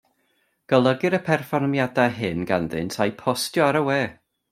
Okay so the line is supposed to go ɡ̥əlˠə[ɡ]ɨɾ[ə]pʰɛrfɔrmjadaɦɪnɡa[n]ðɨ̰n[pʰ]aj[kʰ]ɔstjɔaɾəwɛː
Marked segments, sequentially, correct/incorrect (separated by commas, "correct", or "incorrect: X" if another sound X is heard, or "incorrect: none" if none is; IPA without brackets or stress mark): correct, correct, correct, incorrect: tʰ, incorrect: pʰ